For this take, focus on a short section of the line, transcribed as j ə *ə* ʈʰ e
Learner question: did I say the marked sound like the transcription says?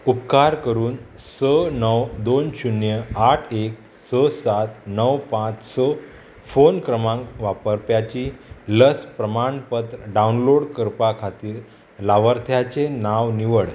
no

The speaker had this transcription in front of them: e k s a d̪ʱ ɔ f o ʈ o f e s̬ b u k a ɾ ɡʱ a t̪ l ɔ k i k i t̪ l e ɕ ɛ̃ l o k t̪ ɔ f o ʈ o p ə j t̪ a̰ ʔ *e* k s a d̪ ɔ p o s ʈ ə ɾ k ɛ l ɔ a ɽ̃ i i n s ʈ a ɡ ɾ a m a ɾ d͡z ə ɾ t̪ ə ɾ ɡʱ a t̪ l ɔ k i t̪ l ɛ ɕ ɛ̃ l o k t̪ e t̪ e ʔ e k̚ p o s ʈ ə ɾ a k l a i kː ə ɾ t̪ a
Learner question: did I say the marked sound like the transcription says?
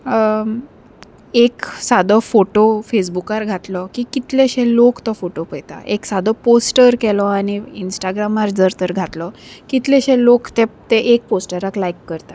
yes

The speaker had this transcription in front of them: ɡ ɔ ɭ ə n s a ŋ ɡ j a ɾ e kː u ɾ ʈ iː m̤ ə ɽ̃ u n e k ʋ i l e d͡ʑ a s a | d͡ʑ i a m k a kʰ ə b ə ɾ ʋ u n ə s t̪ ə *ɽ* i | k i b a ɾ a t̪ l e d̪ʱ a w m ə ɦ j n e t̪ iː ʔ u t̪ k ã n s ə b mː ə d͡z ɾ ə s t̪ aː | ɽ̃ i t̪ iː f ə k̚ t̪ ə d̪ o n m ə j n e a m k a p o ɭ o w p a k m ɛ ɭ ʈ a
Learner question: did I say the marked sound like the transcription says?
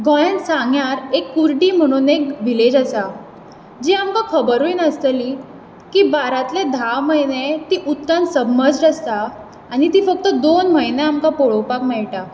no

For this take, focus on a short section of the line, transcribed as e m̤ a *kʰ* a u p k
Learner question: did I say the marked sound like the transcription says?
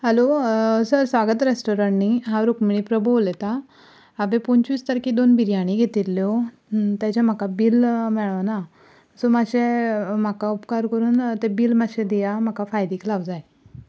no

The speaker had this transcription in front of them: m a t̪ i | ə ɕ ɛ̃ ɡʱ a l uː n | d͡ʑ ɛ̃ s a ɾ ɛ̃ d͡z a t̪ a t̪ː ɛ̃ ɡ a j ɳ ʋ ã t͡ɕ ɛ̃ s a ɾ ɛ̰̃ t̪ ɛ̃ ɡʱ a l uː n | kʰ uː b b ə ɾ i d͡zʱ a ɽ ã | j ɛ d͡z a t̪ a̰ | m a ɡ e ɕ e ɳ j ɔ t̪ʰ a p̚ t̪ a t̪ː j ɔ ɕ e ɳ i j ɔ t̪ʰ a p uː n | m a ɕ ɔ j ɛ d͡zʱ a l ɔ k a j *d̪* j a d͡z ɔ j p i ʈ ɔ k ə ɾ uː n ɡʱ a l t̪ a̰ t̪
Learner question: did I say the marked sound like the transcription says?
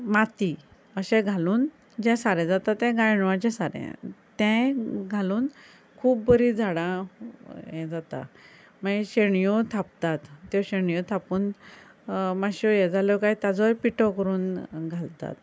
no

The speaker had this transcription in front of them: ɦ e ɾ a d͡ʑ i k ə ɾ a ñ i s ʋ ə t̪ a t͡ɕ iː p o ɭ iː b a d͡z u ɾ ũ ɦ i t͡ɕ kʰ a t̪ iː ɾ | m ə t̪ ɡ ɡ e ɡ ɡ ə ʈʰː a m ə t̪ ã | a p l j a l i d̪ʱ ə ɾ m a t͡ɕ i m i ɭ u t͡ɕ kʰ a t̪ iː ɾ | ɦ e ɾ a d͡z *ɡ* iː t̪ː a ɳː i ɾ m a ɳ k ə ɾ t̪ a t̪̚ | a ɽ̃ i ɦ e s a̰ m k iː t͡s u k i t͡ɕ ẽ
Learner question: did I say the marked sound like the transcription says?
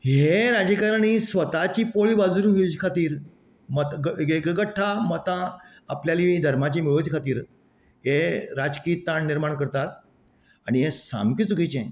no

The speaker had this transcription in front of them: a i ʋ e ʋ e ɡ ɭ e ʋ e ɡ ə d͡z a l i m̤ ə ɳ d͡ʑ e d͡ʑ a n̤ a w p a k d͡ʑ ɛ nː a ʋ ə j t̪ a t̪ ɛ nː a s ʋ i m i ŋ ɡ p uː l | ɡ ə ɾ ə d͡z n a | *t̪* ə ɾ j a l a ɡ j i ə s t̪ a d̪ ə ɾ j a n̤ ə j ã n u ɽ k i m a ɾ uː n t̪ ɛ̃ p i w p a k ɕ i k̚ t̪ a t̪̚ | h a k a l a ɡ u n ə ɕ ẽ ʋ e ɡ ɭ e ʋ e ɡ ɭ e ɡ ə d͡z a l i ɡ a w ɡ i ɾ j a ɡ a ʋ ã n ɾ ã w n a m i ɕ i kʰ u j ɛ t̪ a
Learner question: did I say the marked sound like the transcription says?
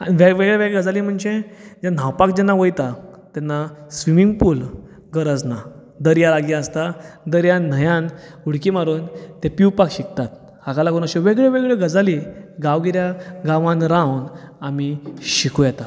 no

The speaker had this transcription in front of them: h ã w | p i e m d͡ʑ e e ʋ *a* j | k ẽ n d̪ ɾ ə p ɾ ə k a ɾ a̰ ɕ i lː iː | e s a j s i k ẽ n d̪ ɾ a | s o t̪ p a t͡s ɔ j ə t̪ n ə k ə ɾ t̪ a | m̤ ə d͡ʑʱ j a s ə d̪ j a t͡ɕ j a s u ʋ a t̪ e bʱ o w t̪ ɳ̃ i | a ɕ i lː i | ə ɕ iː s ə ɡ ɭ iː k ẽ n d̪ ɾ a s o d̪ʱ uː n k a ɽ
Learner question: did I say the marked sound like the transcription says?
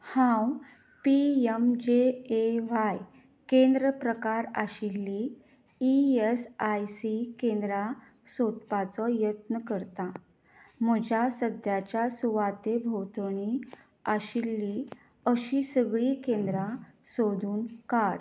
yes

